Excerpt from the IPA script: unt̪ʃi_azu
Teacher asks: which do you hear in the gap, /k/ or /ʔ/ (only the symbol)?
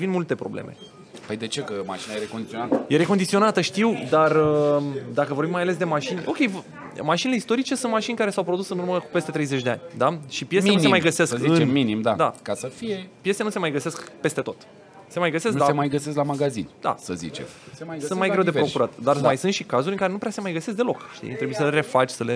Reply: k